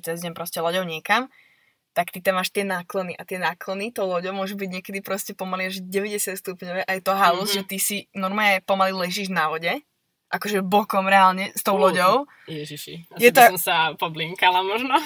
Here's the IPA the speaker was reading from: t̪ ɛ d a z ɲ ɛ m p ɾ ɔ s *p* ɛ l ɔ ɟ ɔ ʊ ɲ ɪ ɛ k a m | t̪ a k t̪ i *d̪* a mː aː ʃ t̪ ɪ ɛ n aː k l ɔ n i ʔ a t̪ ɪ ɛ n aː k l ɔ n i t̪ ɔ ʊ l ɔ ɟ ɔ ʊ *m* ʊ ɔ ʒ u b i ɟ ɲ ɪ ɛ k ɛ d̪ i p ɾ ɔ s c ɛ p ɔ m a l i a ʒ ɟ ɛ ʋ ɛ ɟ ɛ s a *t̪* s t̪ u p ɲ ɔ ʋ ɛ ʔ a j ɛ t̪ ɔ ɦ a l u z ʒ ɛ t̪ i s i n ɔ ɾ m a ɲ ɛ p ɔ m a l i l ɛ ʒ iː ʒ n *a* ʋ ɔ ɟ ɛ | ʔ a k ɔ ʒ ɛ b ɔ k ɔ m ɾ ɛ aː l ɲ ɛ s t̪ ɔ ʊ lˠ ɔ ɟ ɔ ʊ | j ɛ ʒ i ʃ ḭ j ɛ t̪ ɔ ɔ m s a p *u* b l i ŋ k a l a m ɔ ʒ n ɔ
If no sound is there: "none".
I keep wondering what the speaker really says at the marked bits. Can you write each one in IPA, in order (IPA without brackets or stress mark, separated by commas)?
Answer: c, t̪, m, t̪, a, ɔ